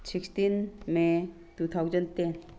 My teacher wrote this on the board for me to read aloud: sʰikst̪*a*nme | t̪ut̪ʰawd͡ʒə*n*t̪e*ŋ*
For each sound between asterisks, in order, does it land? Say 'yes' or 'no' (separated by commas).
no, yes, no